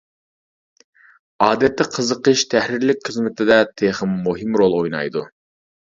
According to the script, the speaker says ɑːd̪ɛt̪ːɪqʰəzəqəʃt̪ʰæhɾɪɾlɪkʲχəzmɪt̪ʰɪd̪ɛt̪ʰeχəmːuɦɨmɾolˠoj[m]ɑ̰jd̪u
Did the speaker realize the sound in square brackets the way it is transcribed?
no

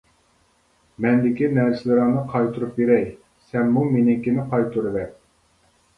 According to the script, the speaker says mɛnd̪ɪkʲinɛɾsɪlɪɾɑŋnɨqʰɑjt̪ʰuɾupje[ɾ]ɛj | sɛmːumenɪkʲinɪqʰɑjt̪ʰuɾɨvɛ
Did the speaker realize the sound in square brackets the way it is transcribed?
yes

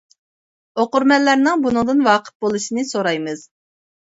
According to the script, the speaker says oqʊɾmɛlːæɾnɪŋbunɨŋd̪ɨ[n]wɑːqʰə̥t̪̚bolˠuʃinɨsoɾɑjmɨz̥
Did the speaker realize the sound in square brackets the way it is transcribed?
yes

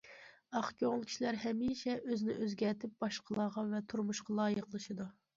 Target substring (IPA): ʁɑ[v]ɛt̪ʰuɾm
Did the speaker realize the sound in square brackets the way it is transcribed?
yes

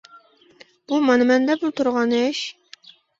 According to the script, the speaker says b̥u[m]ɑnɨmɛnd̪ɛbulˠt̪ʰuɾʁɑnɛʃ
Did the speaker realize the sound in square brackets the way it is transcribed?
yes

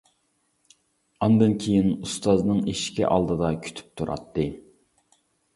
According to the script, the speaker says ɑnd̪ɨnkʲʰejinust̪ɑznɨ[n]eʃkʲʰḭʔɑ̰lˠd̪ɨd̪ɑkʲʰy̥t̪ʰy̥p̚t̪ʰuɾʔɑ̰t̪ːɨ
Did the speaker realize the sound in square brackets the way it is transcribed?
no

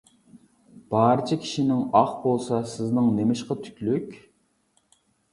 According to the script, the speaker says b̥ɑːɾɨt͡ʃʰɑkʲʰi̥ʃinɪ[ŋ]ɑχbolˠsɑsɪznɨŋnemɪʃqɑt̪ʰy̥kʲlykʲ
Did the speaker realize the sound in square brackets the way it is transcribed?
yes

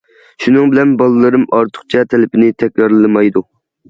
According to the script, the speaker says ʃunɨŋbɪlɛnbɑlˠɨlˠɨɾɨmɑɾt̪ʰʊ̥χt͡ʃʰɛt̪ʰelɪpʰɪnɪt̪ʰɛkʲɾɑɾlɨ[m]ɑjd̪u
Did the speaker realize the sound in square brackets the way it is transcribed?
yes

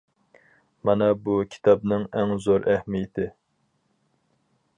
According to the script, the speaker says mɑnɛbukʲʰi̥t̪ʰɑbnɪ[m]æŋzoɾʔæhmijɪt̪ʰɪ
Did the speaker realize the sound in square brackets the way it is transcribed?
no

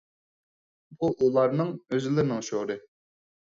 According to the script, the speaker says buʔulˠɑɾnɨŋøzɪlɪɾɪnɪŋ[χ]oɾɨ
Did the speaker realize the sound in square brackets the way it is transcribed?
no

